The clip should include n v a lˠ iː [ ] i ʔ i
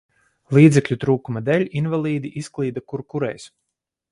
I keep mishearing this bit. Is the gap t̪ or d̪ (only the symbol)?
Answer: d̪